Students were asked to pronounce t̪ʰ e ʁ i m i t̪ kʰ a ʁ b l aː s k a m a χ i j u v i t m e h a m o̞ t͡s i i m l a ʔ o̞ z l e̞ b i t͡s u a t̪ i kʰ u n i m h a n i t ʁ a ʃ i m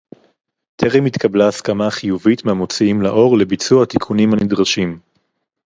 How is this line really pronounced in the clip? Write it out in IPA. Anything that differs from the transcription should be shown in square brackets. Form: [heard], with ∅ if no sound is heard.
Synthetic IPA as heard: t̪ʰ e ʁ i m i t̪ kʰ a [∅] b l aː s k a m a χ i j u v i t m e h a m o̞ t͡s i i m l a ʔ o̞ [ʁ] l e̞ b i t͡s u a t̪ i kʰ u n i m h a n i [d] ʁ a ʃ i m